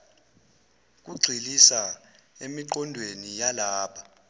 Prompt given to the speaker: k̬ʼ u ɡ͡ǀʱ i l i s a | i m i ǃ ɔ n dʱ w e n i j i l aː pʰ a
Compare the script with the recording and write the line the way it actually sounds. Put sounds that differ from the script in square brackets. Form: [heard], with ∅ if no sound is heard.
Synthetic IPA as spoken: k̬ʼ u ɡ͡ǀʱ i l i s a | [e] m i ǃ ɔ n dʱ w e n i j [a] l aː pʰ a